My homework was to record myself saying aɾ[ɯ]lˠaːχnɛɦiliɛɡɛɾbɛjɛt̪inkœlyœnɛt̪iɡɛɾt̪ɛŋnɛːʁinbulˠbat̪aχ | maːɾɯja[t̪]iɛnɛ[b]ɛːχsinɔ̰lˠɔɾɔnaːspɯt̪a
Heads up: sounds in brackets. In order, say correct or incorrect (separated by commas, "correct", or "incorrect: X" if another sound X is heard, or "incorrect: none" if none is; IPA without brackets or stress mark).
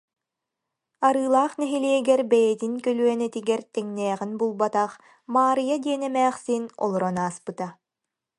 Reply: incorrect: ɯː, incorrect: d̪, incorrect: m